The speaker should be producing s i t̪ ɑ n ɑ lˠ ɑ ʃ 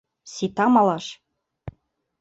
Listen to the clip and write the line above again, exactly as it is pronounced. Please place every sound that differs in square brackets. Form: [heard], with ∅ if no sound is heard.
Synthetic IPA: s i t̪ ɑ [m] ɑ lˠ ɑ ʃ

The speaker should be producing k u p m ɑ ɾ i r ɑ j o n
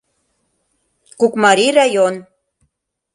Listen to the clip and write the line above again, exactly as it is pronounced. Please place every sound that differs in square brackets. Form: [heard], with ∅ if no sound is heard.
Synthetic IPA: k u [k] m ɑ ɾ i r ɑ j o n

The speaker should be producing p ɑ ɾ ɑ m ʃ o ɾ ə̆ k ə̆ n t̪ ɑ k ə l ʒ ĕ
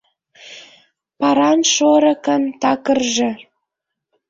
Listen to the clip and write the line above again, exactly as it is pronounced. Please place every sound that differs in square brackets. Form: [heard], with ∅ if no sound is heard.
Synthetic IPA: p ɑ ɾ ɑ [n] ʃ o ɾ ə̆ k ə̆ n t̪ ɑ k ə [r] ʒ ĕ

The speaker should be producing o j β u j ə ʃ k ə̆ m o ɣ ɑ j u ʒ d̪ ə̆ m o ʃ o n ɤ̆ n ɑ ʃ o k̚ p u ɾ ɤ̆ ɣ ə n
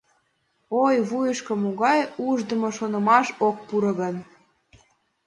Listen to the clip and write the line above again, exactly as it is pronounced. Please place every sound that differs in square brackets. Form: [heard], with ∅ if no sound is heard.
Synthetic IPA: o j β u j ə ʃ k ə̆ m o ɣ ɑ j u ʒ d̪ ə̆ m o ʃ o n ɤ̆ [m] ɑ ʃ o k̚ p u ɾ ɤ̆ ɣ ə n

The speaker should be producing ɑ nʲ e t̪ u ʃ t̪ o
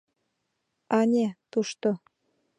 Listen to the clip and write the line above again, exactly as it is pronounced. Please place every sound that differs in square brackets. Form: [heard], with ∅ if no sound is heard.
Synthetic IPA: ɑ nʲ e t̪ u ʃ t̪ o

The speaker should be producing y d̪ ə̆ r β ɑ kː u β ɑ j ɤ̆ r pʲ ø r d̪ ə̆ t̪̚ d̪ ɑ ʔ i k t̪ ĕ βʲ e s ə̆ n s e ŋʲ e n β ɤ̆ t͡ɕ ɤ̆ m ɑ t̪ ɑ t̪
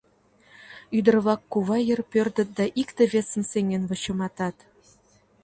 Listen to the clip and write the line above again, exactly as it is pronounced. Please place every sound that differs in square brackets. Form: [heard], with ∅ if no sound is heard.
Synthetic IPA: y d̪ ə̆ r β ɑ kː u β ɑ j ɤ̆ r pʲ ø r d̪ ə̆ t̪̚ d̪ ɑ ʔ i k t̪ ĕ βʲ e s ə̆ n s e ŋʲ e n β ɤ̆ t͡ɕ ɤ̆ m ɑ t̪ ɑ t̪

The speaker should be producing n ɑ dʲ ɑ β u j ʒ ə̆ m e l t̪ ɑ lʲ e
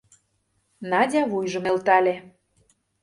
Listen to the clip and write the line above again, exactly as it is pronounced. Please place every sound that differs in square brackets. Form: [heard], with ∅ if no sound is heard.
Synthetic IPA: n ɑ dʲ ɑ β u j ʒ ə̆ m e l t̪ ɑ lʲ e

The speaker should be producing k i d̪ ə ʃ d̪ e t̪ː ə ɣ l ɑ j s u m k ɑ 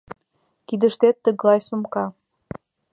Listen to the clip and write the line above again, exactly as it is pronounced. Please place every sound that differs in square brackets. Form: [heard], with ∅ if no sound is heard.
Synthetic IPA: k i d̪ ə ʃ [t̪] e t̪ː ə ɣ l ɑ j s u m k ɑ

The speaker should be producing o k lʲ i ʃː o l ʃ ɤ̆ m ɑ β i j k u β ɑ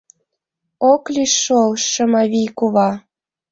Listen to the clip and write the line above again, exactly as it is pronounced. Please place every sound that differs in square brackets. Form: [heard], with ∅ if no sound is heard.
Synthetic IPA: o k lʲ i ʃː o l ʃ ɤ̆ m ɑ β i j k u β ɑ

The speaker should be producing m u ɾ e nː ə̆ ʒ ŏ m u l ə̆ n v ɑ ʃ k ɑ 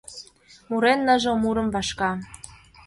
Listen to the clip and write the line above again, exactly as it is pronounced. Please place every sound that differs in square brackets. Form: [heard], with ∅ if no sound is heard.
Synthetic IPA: m u ɾ e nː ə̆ ʒ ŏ m u [ɾ] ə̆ [m] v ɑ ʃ k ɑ

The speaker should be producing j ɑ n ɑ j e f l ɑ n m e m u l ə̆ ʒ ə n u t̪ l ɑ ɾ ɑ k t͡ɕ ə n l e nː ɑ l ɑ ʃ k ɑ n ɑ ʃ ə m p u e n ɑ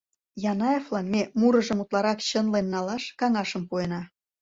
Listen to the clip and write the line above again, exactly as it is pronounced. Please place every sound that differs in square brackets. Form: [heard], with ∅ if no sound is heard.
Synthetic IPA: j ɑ n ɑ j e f l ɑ n m e m u [ɾ] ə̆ ʒ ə [m] u t̪ l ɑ ɾ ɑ k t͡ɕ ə n l e nː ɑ l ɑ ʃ k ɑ [ŋ] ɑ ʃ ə m p u e n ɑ

